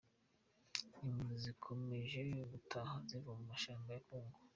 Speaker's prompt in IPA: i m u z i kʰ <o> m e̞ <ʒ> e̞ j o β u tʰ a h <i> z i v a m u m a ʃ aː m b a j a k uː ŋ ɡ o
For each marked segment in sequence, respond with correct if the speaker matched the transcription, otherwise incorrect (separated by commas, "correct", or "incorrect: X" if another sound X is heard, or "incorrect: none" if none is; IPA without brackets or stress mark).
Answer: correct, correct, incorrect: a